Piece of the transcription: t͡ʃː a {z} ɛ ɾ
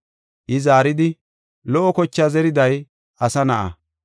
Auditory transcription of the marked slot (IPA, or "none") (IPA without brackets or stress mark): z